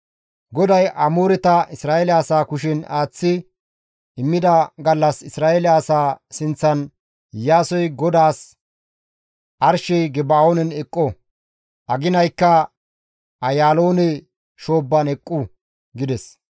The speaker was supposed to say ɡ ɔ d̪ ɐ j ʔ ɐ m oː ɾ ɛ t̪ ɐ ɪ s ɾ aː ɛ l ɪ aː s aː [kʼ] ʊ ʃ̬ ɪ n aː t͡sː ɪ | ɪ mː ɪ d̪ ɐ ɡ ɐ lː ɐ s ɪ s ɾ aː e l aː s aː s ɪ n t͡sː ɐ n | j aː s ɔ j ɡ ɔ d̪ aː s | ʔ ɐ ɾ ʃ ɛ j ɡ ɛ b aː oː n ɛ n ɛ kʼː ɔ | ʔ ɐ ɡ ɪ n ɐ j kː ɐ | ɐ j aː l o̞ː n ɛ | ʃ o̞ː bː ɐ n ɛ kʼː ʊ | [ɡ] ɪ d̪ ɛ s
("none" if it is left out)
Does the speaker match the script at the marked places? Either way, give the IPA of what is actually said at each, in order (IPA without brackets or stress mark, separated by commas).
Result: k, ɡ